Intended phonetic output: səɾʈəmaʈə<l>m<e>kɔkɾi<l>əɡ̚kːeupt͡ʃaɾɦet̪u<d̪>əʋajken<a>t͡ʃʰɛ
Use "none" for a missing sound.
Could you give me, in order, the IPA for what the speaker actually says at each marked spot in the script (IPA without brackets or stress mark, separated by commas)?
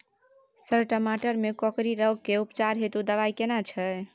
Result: ɾ, e, ɾ, d̪, a